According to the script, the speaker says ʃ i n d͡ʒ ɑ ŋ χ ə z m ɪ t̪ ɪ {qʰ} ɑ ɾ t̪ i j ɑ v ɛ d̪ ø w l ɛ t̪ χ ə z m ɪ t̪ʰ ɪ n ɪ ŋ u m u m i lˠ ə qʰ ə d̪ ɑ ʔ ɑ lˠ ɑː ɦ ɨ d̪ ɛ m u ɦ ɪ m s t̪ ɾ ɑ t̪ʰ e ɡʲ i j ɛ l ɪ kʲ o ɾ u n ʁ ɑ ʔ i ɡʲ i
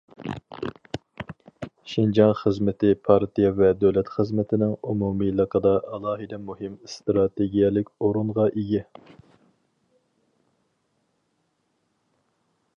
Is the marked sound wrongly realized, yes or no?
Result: yes